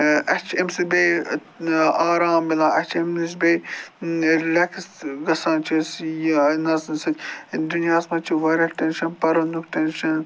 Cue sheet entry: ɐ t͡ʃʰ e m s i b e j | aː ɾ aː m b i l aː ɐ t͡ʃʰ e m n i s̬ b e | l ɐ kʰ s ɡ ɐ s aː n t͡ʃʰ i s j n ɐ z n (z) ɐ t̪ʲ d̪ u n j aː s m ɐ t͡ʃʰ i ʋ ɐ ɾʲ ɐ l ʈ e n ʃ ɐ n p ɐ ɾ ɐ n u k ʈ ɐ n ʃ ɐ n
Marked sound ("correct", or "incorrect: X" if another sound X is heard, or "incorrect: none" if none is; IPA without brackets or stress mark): incorrect: s